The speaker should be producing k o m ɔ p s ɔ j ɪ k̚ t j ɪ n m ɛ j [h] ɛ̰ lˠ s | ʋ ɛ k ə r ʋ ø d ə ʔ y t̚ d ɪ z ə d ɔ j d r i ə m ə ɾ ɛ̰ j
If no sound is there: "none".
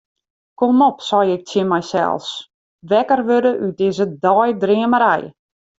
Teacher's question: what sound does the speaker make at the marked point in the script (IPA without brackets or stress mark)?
s